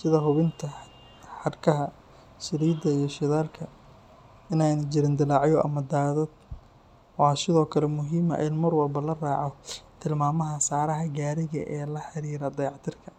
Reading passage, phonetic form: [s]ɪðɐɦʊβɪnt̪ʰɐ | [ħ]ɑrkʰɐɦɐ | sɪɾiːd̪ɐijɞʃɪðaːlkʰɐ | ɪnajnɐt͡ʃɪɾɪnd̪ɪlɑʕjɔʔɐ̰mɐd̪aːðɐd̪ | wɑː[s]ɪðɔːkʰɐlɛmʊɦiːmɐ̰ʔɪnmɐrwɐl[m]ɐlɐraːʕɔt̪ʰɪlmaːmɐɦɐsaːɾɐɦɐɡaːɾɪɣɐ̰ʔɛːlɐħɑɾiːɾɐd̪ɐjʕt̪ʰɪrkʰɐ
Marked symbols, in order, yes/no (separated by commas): yes, yes, yes, no